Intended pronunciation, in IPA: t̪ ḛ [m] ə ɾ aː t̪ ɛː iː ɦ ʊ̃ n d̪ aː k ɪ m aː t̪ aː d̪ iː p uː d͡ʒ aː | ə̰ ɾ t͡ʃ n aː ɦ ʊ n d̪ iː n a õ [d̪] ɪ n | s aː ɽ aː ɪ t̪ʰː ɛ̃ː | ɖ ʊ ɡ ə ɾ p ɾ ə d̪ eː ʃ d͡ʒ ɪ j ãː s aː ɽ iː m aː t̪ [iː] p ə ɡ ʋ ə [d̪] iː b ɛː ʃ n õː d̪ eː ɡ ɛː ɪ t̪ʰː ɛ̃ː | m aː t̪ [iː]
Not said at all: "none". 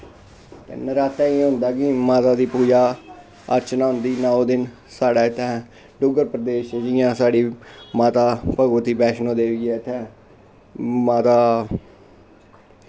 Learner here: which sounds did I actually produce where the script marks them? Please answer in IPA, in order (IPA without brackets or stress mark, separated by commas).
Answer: n, d̪, aː, t̪, aː